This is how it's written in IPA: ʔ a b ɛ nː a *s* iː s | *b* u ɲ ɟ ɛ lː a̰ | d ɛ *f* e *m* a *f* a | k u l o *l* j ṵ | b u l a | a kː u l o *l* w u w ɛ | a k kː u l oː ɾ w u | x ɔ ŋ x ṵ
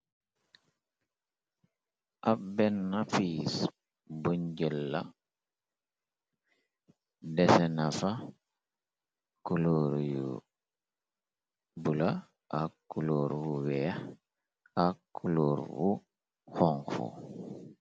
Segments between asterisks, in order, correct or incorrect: incorrect: f, correct, incorrect: s, incorrect: n, correct, incorrect: ɾ, incorrect: ɾ

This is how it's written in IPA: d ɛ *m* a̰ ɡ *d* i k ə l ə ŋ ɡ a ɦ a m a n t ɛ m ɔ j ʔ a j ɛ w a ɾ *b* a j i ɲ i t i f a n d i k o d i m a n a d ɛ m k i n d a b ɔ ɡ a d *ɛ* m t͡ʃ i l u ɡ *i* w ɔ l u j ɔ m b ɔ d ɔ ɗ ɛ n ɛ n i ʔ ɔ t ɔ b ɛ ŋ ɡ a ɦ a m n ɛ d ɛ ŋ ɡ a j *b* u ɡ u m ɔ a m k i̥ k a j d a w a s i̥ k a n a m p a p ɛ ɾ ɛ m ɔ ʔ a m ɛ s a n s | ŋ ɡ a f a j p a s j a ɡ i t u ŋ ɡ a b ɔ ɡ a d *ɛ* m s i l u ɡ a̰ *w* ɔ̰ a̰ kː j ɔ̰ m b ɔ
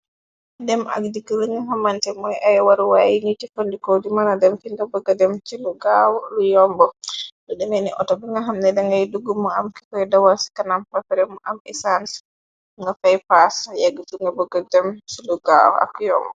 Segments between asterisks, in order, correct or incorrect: correct, correct, incorrect: w, correct, incorrect: a, incorrect: d, correct, correct

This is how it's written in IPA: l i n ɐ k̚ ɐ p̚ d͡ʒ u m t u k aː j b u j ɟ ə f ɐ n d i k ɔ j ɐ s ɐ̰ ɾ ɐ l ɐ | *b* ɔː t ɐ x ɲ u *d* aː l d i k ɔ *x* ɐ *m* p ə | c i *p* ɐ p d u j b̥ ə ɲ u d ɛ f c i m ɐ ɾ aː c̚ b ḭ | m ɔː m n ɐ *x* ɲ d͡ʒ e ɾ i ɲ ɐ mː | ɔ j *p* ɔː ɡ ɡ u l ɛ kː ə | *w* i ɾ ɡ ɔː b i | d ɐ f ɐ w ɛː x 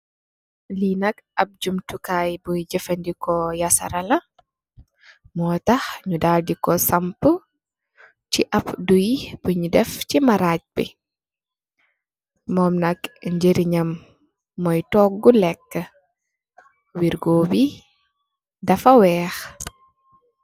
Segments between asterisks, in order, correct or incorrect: incorrect: m, correct, incorrect: s, correct, incorrect: ʔ, incorrect: k, incorrect: t, correct

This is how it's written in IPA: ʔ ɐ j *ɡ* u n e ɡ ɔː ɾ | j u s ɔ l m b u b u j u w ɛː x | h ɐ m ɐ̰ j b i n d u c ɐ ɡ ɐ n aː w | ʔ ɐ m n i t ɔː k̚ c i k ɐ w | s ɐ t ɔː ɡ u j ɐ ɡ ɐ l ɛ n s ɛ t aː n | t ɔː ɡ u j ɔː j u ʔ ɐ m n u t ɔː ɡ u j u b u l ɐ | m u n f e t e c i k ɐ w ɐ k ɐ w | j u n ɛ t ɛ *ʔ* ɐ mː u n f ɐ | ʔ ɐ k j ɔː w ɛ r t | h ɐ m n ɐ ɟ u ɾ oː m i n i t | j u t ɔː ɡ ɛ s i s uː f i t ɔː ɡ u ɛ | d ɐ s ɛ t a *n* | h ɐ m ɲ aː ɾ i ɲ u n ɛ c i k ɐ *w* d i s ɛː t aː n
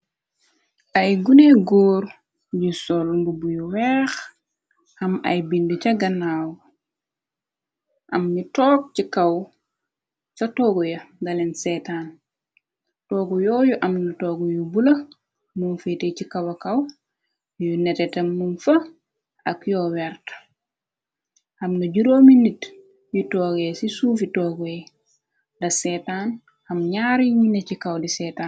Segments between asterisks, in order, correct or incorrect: correct, incorrect: t, correct, correct

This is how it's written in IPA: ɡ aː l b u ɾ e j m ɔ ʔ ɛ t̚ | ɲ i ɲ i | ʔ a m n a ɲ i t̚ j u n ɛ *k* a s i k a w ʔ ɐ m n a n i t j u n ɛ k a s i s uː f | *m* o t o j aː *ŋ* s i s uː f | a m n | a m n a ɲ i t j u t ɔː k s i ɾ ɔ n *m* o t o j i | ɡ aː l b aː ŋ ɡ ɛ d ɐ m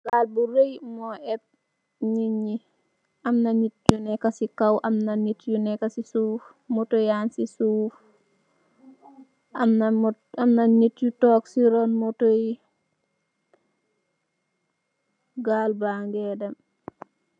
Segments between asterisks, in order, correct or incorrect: correct, correct, incorrect: n, correct

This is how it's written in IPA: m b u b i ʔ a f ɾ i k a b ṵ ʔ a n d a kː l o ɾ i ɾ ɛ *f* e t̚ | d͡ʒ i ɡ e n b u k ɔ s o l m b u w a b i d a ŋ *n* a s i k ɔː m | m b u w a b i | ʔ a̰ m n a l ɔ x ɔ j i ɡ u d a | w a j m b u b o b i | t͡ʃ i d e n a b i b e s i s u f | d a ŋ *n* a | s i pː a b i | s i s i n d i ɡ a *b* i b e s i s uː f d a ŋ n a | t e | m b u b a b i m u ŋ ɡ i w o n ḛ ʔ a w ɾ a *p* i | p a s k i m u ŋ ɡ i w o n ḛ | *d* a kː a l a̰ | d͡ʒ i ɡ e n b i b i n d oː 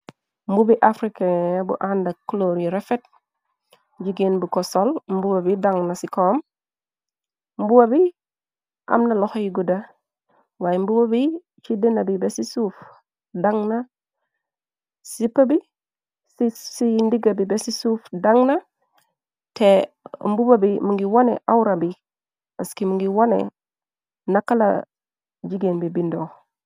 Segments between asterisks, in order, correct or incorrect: correct, correct, correct, correct, incorrect: b, incorrect: n

